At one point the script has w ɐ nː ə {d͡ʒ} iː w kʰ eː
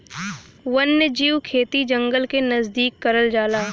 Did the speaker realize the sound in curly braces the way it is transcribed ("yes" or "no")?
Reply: yes